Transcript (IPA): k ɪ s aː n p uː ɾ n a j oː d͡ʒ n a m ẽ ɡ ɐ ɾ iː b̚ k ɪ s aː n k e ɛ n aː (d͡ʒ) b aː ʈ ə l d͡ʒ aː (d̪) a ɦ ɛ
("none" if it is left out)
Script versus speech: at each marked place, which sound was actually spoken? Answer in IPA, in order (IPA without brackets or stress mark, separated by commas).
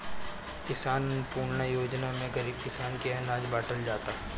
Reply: d͡ʒ, t̪